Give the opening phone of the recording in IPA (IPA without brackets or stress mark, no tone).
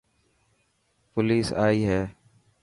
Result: p